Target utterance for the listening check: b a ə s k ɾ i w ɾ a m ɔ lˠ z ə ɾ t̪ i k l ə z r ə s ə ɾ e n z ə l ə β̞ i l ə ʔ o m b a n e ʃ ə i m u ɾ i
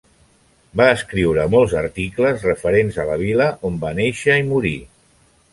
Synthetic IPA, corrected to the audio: b a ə s k ɾ i w ɾ ə m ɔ lˠ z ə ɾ t̪ i k l ə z r ə f ə ɾ e n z ə l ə β̞ i l ə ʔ o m b a n e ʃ ə i m u ɾ i